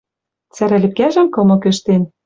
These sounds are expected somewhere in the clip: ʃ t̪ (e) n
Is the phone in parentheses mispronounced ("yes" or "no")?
no